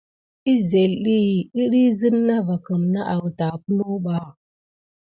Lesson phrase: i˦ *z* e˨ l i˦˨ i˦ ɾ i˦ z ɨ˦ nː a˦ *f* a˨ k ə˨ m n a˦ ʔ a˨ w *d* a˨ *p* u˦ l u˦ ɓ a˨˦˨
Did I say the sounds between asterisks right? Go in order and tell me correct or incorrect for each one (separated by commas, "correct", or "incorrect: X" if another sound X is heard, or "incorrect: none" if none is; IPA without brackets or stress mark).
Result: correct, incorrect: v, incorrect: t, correct